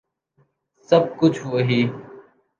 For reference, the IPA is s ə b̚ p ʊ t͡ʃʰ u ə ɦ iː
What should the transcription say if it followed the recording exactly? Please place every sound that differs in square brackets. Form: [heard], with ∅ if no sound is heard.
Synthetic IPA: s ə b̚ [k] ʊ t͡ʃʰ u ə ɦ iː